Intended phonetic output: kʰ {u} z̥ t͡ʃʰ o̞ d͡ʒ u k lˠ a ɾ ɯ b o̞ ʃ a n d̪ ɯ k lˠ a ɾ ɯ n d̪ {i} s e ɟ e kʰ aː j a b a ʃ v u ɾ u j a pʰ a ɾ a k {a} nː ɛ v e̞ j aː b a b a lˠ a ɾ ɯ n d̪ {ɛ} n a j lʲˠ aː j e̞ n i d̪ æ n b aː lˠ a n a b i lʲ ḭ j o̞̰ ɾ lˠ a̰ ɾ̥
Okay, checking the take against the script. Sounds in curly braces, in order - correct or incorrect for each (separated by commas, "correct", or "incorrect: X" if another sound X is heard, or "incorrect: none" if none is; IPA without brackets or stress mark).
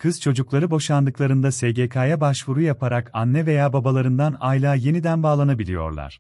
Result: incorrect: ɯ, incorrect: a, correct, incorrect: a